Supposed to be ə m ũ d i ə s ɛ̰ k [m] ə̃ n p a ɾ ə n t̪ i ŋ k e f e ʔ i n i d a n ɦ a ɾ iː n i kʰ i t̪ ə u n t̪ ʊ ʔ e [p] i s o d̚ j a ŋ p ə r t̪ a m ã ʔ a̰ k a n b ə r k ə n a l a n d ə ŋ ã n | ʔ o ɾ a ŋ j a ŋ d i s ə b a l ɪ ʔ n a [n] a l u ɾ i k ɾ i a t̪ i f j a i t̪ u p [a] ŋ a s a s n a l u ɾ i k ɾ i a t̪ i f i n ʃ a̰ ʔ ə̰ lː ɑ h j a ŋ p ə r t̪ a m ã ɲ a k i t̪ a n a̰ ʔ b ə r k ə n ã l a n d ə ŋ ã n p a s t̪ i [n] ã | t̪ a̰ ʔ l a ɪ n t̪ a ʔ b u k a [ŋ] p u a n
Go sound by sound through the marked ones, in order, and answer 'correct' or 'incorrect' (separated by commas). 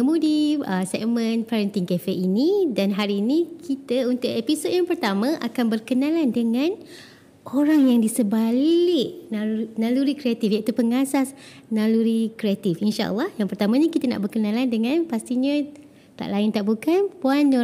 correct, correct, correct, incorrect, incorrect, incorrect